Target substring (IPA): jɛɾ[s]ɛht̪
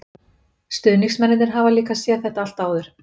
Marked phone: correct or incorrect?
incorrect: θ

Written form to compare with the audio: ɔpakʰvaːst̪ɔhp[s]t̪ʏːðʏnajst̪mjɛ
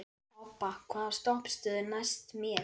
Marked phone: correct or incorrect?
correct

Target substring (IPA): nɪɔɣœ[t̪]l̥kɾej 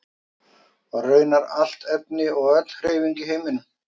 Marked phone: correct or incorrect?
correct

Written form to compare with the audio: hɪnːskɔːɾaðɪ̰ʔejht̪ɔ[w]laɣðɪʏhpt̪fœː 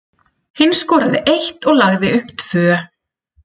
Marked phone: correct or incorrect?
incorrect: ɣ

